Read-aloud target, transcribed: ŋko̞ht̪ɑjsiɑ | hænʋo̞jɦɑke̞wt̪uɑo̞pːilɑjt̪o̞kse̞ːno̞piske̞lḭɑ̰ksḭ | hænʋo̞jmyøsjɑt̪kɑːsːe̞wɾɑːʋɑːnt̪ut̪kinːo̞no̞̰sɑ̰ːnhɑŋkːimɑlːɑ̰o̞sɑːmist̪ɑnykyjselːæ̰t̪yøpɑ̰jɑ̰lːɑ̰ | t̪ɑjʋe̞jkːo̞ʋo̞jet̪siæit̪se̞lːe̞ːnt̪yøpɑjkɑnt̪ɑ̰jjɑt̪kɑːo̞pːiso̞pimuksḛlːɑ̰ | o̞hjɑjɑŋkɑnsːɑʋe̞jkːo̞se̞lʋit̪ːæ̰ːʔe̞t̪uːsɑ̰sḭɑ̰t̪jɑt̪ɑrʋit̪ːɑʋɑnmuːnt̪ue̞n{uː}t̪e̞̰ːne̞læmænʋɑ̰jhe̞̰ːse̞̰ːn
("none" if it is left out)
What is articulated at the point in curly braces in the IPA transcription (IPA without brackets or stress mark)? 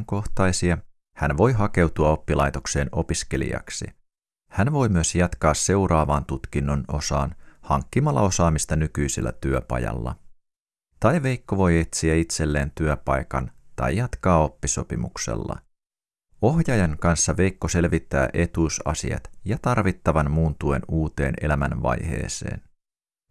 uː